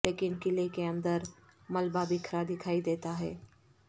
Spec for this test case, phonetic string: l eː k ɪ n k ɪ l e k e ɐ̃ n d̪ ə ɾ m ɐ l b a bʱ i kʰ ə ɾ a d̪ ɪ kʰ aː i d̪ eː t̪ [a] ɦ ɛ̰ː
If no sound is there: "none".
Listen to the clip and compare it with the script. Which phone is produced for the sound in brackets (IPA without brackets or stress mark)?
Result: a